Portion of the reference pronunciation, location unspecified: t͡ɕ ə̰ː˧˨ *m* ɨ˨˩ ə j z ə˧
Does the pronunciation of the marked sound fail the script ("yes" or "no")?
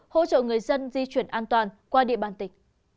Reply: yes